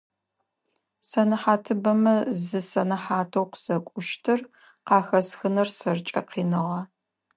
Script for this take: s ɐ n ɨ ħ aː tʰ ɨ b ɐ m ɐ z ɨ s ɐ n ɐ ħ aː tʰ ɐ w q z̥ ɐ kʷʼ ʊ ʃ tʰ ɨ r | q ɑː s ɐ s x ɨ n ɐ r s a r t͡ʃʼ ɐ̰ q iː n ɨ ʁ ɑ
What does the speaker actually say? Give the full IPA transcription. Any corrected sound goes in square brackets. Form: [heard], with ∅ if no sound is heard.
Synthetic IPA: s ɐ n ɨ ħ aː tʰ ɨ b ɐ m ɐ z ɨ s ɐ n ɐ ħ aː tʰ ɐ w q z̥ ɐ kʷʼ ʊ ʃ tʰ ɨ r | q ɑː [x] ɐ s x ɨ n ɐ r s [ɐ] r t͡ʃʼ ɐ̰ q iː n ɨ ʁ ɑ